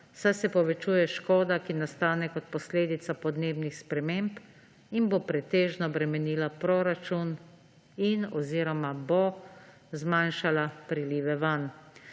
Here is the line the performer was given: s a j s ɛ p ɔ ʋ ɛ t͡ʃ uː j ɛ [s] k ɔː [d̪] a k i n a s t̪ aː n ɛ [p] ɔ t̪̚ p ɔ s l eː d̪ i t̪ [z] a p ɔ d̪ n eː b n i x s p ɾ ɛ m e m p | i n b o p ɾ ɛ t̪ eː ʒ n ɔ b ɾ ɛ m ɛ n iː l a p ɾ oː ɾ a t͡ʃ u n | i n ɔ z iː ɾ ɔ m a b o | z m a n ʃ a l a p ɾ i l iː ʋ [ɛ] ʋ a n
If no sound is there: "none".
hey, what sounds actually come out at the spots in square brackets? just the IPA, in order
ʃ, d̪, k, s, ɛ

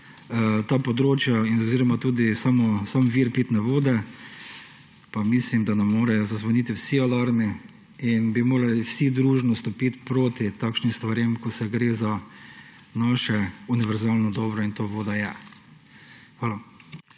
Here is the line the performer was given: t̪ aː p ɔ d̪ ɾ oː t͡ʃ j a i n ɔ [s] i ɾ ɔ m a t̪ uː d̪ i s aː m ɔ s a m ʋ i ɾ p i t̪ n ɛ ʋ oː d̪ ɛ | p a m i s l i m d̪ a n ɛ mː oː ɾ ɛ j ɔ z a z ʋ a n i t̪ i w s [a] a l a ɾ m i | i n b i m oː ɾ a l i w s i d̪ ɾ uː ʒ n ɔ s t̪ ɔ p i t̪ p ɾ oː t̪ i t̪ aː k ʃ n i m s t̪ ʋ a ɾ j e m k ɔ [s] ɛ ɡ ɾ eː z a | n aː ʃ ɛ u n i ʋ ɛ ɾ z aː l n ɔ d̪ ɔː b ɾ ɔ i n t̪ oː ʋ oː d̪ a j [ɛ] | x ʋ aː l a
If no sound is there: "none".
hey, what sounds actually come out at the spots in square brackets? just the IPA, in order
z, i, s, ɛ

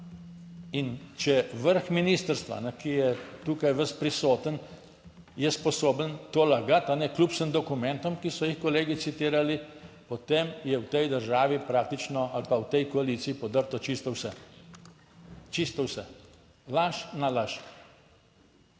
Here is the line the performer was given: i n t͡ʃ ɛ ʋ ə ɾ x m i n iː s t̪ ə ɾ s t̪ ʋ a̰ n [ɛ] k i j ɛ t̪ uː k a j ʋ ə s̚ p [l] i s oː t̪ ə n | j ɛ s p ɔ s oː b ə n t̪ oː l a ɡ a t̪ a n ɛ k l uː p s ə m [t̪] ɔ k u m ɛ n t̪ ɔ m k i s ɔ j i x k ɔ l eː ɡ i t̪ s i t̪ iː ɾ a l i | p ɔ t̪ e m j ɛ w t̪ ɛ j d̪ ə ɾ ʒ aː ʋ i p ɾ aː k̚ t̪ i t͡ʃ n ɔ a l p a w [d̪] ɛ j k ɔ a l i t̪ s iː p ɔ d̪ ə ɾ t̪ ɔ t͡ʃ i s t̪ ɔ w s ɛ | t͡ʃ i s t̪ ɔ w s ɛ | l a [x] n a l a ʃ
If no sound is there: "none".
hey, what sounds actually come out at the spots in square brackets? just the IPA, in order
ɛ, ɾ, d̪, t̪, ʃ

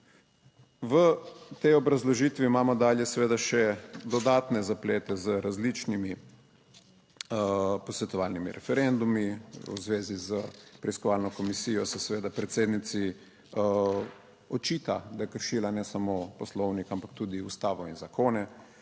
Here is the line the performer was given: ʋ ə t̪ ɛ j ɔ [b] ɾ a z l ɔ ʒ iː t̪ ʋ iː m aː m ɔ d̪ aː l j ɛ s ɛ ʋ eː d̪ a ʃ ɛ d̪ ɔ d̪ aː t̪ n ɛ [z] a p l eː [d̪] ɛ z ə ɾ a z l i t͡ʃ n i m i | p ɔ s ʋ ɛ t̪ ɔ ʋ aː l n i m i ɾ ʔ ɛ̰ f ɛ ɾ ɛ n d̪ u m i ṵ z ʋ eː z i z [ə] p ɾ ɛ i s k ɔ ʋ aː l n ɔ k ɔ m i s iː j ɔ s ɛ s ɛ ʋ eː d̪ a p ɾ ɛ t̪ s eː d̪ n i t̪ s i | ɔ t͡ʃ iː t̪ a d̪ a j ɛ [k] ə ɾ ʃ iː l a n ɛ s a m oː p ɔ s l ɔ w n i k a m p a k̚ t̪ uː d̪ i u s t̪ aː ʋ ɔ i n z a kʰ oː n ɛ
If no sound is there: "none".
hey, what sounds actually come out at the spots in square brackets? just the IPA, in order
b, z, t̪, ə, k

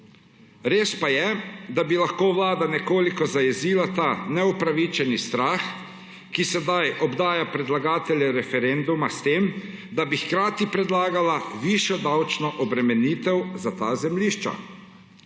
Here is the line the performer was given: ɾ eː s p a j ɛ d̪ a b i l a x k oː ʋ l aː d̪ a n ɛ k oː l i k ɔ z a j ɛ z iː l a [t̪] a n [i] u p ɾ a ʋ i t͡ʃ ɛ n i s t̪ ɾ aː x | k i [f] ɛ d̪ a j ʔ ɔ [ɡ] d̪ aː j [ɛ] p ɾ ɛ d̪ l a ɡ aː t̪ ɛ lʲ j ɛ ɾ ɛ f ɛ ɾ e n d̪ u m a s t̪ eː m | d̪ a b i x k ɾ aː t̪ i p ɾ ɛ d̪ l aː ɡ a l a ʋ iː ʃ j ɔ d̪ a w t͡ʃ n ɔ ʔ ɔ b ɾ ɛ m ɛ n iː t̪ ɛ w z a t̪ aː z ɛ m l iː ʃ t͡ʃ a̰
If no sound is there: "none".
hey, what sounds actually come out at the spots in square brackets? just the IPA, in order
t̪, ɛ, s, b, a

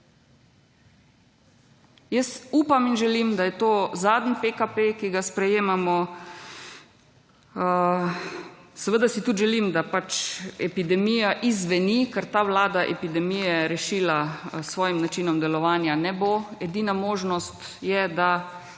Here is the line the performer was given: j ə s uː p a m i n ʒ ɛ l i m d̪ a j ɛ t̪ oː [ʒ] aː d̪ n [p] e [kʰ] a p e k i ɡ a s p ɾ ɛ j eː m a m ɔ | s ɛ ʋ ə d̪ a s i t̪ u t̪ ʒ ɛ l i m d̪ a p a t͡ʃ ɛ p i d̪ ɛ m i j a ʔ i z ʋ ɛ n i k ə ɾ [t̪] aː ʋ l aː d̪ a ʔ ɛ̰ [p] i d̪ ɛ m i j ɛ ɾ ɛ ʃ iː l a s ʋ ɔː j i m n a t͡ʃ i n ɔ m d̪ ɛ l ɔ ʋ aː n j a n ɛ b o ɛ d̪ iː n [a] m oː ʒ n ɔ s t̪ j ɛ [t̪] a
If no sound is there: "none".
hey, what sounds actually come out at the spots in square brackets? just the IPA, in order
z, p, k, t̪, p, a, d̪

